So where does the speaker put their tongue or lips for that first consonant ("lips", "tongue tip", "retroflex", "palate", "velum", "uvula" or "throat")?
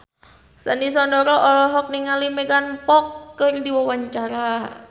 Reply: tongue tip